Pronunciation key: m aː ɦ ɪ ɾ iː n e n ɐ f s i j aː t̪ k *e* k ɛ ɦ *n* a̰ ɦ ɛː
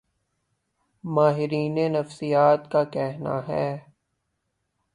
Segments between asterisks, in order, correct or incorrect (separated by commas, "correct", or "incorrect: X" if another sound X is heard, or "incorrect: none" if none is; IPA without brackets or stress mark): incorrect: a, correct